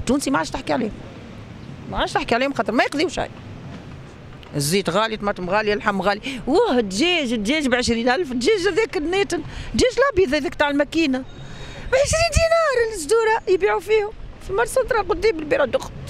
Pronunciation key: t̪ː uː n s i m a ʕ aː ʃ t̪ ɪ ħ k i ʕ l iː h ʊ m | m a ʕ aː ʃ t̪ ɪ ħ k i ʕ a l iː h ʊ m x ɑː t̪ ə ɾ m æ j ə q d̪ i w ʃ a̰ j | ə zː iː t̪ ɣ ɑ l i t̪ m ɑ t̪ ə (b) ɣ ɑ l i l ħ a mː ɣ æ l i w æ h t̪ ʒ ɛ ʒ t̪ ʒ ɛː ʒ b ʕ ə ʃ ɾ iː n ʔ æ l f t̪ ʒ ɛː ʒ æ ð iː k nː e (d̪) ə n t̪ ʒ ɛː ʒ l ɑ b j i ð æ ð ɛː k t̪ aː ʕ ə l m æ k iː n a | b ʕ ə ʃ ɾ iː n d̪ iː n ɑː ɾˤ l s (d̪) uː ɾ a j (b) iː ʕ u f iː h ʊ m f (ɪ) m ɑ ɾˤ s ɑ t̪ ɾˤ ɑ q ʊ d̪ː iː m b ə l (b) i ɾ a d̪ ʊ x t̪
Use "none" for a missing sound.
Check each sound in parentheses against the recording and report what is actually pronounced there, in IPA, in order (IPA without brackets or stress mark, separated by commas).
m, t̪, d̪, b, i, b